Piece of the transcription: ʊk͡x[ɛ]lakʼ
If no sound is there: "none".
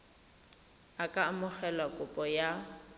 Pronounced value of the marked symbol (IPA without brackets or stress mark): ɛ